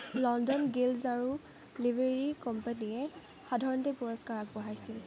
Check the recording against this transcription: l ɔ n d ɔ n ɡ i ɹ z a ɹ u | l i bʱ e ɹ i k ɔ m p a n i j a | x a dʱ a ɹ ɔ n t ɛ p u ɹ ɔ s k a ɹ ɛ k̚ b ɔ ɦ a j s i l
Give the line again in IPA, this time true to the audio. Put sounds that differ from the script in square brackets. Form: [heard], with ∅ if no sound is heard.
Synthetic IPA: l ɔ n d ɔ n ɡ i [l] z a ɹ u | l i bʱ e ɹ i k ɔ m p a n i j [ɛ] | x a dʱ a ɹ ɔ n t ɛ p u ɹ ɔ s k a ɹ [a] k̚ b ɔ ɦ a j s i l